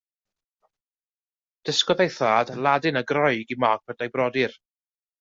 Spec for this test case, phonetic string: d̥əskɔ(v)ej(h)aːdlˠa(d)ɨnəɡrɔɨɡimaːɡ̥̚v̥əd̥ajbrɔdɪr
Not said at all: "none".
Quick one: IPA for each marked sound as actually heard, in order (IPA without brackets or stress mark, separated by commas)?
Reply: ð, θ, d